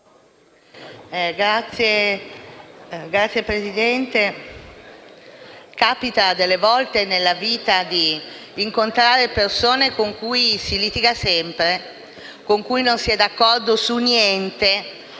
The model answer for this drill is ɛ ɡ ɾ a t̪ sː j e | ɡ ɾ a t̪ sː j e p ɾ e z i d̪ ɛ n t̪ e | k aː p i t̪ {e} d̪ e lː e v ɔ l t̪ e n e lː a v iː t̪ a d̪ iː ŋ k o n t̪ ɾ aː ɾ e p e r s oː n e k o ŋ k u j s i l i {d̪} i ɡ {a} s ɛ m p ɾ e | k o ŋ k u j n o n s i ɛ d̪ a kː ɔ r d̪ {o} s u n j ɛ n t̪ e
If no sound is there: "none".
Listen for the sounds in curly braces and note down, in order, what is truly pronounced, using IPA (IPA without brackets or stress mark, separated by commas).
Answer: a, t̪, a, o